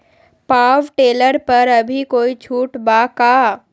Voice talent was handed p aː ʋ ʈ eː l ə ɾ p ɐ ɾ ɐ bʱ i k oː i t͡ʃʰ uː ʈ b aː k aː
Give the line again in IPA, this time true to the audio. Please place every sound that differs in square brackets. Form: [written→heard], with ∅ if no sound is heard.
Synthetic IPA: p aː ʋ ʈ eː l ə ɾ p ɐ ɾ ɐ bʱ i k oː i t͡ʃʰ uː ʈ b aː k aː